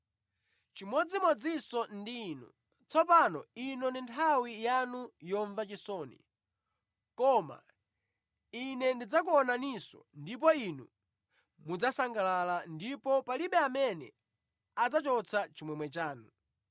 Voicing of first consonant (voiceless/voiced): voiceless